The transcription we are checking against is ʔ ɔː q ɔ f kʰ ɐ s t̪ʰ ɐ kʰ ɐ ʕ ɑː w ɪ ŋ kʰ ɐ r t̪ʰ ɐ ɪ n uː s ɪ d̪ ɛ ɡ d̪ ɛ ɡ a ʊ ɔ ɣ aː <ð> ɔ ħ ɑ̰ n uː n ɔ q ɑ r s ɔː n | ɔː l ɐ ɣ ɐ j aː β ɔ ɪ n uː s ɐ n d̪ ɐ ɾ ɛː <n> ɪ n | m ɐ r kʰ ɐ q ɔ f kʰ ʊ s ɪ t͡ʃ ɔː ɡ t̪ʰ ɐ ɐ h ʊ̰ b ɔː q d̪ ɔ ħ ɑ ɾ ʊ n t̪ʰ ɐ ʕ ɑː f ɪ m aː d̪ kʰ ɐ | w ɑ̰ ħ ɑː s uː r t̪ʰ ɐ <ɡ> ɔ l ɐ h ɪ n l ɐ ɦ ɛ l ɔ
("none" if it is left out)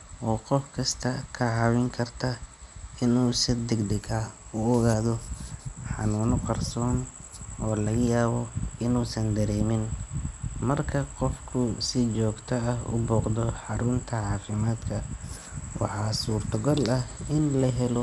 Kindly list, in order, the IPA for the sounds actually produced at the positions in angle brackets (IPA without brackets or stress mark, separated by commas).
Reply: ð, m, ɡ